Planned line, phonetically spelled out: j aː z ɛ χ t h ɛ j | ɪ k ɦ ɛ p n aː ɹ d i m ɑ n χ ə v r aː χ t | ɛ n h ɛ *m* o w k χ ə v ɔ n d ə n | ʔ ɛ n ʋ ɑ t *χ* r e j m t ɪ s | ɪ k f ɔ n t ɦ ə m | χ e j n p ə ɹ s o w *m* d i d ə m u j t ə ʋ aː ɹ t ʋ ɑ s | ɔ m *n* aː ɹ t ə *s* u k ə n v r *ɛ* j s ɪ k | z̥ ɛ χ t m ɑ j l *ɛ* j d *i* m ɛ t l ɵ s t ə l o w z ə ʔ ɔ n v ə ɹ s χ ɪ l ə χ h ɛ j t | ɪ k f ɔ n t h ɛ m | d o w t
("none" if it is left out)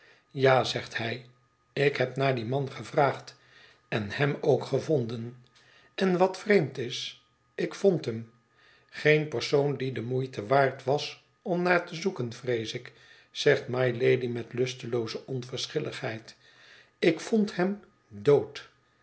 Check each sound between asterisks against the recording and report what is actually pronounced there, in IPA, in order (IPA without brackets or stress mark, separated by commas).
m, f, n, n, z, e, e, i